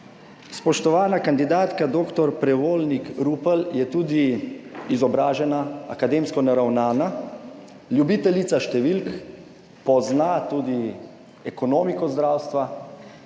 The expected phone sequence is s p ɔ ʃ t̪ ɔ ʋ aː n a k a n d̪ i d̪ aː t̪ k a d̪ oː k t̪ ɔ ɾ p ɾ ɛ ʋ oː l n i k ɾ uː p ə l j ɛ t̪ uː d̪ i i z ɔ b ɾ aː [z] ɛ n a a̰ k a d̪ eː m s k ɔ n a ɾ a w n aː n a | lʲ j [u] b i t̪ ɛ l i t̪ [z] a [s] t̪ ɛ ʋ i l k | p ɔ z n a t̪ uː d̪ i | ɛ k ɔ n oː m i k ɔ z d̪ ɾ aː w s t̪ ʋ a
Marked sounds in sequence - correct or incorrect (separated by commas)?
incorrect, correct, incorrect, incorrect